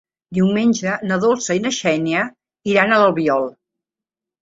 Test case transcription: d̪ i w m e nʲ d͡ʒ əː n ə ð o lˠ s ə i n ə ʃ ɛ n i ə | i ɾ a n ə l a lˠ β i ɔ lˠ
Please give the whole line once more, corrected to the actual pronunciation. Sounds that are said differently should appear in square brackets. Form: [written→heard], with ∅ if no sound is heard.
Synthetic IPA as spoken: d̪ i w m e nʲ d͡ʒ [əː→ə] n ə ð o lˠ s ə i n ə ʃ ɛ n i ə | i ɾ a n ə l [a→ə] lˠ β i ɔ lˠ

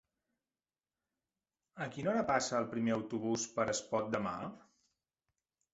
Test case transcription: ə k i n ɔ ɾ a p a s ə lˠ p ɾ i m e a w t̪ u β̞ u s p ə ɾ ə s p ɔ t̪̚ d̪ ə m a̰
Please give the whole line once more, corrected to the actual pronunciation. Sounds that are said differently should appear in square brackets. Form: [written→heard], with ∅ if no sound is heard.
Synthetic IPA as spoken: ə k i n ɔ ɾ [a→ə] p a s [ə→əː] lˠ p ɾ i m e [a→ə] w t̪ u β̞ u s p ə ɾ ə s p ɔ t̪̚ d̪ ə m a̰

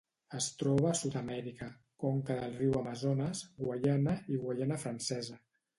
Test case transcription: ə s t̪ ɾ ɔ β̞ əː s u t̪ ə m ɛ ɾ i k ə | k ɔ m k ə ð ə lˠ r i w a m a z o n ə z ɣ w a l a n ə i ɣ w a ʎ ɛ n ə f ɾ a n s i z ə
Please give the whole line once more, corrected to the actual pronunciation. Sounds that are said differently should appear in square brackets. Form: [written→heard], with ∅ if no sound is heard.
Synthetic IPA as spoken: ə s t̪ ɾ ɔ β̞ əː s u t̪ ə m ɛ ɾ i k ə | k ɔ [m→ŋ] k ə ð ə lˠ r i w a m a z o n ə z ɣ w a [l→ʎ] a n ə i ɣ w a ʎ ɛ n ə f ɾ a n s [i→ɛ] z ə

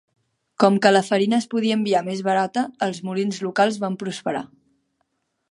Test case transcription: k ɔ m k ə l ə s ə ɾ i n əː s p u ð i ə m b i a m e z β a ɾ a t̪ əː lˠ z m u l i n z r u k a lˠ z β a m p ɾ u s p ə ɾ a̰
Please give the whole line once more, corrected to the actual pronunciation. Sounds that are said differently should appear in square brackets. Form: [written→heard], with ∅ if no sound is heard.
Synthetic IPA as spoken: k ɔ m k ə l ə [s→f] ə ɾ i n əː s p u ð i ə m b i a m e z β [a→ə] ɾ a t̪ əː lˠ z m u l i n z [r→l] u k a lˠ z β a m p ɾ u s p ə ɾ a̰

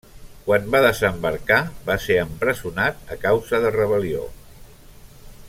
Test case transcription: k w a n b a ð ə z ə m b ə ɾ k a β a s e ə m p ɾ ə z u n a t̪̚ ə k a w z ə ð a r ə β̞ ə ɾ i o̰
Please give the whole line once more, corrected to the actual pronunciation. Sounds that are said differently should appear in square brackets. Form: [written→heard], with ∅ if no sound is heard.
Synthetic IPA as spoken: k w a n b a ð ə z ə m b ə ɾ k a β a s e ə m p ɾ ə z u n a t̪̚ ə k a w z ə ð [a→ə] r ə β̞ ə [ɾ→l] i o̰

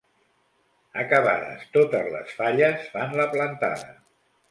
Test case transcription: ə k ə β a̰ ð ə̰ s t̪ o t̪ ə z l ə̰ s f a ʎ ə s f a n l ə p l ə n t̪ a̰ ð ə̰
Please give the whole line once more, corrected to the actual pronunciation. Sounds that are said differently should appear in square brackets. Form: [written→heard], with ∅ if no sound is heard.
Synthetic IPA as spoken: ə k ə β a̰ ð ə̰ s t̪ o t̪ ə z l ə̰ s f a ʎ ə s f a n l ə p l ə n t̪ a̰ ð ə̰

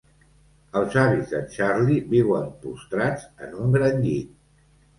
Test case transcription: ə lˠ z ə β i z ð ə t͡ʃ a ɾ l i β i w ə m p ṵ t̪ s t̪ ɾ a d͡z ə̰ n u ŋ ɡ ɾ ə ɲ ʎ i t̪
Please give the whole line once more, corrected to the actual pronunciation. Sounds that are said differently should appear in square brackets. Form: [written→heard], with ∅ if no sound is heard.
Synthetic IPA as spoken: ə lˠ z [ə→a] β i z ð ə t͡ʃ a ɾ l i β i w ə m p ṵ [t̪→∅] s t̪ ɾ a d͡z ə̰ n u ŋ ɡ ɾ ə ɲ ʎ i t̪

